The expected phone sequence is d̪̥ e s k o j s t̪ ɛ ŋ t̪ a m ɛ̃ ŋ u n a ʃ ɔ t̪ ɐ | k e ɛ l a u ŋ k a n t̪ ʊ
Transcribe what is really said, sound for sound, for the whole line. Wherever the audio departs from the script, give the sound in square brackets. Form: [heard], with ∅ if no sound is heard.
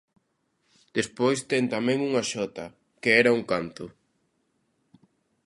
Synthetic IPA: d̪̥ e s [p] o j s t̪ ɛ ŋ t̪ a m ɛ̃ ŋ u [ŋ] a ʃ ɔ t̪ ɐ | k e ɛ [ɾ] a u ŋ k a n t̪ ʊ